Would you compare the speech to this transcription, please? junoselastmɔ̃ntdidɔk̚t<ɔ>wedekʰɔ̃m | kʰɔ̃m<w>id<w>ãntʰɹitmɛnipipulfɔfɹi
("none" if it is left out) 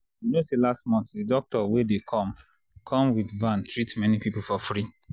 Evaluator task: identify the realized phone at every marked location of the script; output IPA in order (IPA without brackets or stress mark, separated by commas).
ɔ, w, v